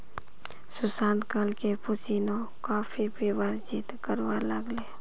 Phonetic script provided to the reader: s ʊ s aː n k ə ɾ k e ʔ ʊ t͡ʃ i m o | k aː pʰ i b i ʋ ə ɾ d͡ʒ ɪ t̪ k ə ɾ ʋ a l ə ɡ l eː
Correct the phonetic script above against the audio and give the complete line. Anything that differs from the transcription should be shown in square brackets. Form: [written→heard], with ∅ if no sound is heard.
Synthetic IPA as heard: s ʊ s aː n k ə [ɾ→l] k e [ʔ→p] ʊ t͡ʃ i [m→n] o | k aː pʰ i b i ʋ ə ɾ d͡ʒ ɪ t̪ k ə ɾ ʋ a l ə ɡ l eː